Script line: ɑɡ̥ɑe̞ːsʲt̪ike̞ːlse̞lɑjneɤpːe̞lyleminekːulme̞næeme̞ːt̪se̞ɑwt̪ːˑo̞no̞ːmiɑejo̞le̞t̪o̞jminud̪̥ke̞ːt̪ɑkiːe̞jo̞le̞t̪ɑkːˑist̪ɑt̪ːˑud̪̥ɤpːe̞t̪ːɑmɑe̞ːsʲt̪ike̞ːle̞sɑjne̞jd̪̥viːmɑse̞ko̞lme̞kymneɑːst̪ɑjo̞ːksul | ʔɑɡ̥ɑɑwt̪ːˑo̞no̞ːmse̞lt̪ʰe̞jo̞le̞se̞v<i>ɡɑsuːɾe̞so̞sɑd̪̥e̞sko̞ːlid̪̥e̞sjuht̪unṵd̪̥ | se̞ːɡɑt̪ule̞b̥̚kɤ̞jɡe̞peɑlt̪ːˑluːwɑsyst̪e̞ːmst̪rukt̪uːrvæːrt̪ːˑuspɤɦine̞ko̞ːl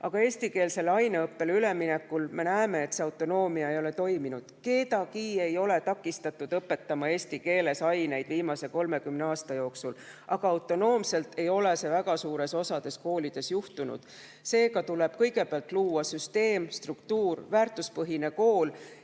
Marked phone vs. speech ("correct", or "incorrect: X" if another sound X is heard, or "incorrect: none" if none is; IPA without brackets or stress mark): incorrect: æ